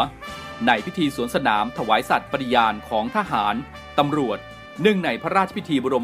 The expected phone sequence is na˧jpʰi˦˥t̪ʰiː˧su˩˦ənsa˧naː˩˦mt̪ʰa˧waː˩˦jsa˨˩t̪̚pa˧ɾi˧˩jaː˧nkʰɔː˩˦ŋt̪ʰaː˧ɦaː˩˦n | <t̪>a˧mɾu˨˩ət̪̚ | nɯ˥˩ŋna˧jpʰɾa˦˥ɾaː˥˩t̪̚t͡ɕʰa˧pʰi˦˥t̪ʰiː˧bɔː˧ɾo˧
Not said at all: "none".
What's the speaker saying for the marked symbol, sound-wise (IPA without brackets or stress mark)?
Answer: t̪